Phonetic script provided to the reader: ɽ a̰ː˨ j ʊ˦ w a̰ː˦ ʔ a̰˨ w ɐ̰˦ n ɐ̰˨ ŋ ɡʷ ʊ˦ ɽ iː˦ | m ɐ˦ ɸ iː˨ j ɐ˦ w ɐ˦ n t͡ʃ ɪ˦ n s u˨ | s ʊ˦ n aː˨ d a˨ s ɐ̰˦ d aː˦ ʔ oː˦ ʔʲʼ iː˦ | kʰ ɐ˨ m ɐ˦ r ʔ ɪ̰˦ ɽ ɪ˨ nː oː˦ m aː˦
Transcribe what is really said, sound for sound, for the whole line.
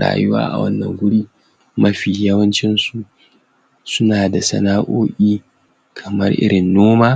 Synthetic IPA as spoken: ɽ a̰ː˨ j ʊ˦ w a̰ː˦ ʔ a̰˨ w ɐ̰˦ nː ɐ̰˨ ŋ ɡʷ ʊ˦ ɽ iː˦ | m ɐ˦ ɸ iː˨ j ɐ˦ w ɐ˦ n t͡ʃ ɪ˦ n s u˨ | s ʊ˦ n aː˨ d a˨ s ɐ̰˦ n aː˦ ʔ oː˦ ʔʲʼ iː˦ | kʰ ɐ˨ m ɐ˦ r ʔ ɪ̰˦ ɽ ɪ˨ nː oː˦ m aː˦

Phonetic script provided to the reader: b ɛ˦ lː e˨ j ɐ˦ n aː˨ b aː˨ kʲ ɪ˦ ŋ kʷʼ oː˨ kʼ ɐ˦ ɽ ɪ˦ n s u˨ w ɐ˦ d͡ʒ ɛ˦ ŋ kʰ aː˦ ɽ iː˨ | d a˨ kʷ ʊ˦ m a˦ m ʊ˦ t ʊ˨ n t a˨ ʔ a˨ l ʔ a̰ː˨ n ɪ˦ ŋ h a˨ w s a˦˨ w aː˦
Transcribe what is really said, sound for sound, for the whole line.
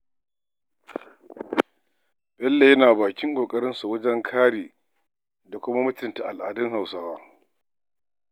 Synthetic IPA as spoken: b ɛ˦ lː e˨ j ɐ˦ n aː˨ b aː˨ kʲ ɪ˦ ŋ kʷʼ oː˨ kʼ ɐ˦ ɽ ɪ˦ n s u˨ w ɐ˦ d͡ʒ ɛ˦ ŋ kʰ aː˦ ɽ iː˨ | d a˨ kʷ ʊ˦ m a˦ m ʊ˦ t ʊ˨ n t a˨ ʔ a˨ l ʔ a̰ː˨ d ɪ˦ ŋ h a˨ w s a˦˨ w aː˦

